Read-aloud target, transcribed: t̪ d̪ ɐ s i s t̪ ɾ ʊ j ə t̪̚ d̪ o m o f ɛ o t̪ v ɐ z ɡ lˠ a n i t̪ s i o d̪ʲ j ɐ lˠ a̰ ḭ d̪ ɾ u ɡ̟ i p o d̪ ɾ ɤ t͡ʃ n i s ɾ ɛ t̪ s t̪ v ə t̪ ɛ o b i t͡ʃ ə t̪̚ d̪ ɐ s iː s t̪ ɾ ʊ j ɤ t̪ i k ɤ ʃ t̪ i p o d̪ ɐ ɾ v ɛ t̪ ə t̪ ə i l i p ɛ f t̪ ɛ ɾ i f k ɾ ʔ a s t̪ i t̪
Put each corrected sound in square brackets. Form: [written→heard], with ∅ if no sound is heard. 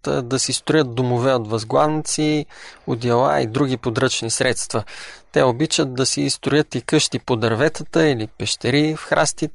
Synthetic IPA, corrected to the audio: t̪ d̪ ɐ s i s t̪ ɾ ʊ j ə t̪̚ d̪ o m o [f→v] ɛ o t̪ v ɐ z ɡ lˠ a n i t̪ s i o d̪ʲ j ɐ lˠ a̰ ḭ d̪ ɾ u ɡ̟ i p o d̪ ɾ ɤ t͡ʃ n i s ɾ ɛ t̪ s t̪ v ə t̪ ɛ o b i t͡ʃ ə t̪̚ d̪ ɐ s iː s t̪ ɾ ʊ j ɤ t̪ i k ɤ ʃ t̪ i p o d̪ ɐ ɾ v ɛ t̪ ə t̪ ə i l i p ɛ [f→ʃ] t̪ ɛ ɾ i f [k→x] ɾ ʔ a s t̪ i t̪